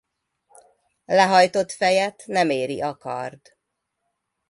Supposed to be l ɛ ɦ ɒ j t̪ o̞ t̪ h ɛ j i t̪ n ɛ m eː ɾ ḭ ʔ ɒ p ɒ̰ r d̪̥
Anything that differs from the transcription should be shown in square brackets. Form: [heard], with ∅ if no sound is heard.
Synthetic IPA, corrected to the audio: l ɛ ɦ ɒ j t̪ o̞ t̪ [f] ɛ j [ɛ] t̪ n ɛ m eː ɾ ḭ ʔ ɒ [k] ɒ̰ r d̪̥